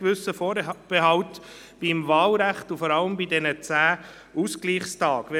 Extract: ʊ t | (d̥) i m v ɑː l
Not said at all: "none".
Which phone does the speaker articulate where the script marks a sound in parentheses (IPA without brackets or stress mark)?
b̥